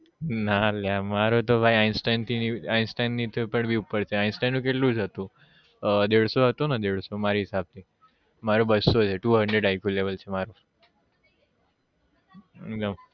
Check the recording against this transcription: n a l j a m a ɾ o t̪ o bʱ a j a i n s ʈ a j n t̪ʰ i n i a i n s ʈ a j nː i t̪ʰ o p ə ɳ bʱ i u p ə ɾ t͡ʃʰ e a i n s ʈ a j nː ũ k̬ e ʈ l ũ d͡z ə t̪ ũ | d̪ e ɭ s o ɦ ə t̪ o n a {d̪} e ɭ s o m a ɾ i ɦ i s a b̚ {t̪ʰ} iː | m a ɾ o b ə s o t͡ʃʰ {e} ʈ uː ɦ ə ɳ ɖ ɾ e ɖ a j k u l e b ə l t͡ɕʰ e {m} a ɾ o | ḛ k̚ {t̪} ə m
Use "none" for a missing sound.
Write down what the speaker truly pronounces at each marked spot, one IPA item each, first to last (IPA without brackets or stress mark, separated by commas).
d̪, t̪, e, m, d̪